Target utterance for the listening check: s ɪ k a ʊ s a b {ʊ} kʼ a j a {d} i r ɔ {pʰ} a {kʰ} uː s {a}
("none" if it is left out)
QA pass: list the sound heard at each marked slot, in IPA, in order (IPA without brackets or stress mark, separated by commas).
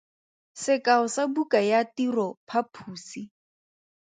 u, t, pʰ, pʰ, i